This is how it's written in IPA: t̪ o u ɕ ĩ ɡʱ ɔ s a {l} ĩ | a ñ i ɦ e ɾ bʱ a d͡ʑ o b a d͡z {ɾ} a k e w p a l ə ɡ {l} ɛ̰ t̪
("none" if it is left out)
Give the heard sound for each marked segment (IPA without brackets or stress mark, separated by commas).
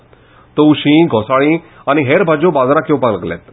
ɭ, ɾ, l